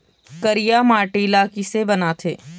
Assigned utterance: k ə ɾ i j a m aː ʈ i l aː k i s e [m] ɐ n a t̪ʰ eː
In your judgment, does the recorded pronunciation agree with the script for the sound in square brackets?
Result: no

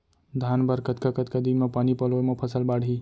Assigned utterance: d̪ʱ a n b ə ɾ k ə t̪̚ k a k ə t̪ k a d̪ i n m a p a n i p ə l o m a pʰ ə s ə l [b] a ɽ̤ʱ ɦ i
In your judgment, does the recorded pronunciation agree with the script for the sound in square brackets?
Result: yes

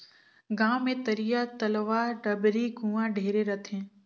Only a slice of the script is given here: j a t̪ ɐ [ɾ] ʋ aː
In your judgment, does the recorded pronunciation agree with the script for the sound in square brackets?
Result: no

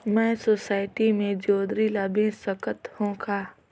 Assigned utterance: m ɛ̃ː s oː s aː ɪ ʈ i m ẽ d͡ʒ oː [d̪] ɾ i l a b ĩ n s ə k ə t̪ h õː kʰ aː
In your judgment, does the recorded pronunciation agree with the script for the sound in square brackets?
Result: yes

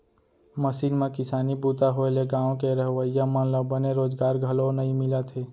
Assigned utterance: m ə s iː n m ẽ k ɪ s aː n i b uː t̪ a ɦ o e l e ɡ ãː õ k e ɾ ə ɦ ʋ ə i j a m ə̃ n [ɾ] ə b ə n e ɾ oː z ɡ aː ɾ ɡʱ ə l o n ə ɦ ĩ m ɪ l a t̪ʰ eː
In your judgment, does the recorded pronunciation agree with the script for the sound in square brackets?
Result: no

